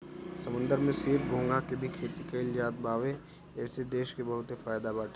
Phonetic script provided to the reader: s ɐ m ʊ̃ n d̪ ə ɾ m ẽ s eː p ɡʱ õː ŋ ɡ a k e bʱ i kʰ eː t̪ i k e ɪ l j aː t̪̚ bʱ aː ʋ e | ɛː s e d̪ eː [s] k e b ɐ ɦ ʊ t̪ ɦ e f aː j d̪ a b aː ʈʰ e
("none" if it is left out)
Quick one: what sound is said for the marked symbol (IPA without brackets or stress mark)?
ʃ